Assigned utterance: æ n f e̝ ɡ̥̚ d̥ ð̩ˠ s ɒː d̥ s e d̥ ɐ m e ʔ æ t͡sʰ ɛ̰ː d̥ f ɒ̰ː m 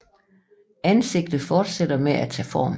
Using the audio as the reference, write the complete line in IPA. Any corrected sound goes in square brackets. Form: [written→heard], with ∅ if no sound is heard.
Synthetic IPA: æ n [f→s] e̝ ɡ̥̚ d̥ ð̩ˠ [s→f] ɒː d̥ s e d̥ ɐ m e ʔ æ t͡sʰ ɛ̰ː [d̥→∅] f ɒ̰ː m